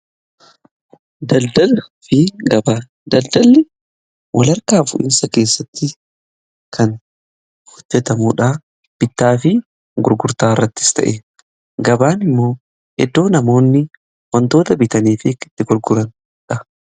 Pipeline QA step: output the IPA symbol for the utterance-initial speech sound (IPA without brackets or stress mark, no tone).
d̪